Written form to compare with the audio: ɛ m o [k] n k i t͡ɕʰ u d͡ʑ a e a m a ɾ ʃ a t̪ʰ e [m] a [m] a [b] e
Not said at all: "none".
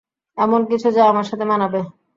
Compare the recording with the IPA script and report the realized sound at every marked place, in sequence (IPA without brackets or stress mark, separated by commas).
none, m, n, b